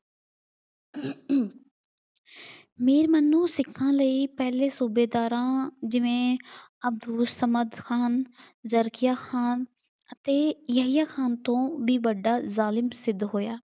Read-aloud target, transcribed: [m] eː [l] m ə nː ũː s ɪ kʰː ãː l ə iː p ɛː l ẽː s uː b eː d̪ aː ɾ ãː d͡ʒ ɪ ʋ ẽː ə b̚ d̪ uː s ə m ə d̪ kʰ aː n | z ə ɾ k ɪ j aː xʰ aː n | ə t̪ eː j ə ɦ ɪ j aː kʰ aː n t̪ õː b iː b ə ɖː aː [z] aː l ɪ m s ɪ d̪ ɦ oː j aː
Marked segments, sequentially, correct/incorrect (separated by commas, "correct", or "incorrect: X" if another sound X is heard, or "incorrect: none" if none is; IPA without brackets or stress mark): correct, incorrect: ɾ, correct